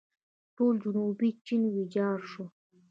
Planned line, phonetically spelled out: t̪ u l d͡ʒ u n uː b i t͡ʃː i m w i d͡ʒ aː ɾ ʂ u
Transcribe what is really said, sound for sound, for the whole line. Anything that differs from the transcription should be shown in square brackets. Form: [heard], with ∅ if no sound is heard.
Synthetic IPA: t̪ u l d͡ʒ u n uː b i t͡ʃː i [n] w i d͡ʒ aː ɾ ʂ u